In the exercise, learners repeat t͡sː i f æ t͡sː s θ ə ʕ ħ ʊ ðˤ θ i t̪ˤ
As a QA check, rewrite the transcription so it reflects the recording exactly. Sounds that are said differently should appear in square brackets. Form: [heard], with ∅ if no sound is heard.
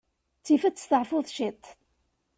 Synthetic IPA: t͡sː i f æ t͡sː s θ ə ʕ [f] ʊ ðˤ [ʃ] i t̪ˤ